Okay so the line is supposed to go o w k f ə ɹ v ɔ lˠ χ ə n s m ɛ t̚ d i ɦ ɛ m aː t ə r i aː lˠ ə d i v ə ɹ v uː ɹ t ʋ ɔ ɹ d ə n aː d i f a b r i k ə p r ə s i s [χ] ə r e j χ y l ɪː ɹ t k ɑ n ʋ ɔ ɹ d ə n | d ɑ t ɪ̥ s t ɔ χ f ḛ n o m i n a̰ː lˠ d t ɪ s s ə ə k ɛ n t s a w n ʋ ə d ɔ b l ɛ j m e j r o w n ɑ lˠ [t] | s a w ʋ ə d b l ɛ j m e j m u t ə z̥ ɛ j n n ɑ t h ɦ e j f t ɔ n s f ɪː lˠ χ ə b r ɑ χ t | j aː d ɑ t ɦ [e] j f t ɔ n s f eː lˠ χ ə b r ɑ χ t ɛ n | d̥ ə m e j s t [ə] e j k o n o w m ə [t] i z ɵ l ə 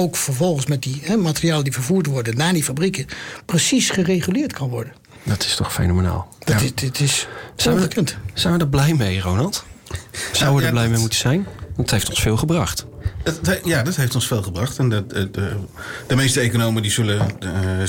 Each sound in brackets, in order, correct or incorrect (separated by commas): correct, correct, correct, correct, incorrect